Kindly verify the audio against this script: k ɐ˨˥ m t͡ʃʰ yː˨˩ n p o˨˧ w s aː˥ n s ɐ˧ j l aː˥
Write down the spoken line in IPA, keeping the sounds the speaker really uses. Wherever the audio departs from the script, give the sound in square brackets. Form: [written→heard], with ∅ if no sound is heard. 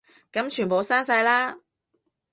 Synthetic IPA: k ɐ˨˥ m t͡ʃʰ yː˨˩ n p o˨˧ w s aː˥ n s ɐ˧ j l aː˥